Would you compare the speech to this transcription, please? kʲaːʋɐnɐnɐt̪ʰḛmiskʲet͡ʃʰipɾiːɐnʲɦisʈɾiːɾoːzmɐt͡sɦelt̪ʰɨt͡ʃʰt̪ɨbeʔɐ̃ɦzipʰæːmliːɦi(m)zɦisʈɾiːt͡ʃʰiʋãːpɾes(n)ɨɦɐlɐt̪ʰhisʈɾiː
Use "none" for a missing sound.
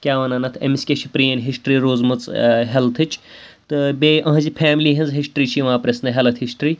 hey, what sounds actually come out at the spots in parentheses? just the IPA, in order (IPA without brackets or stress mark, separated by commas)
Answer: n, n